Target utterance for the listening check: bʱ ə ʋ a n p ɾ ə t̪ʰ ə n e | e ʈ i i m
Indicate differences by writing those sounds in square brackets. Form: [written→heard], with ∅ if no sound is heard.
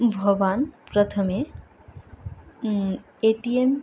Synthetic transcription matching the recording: bʱ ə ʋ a n p ɾ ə t̪ʰ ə [n→m] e | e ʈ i [i→e] m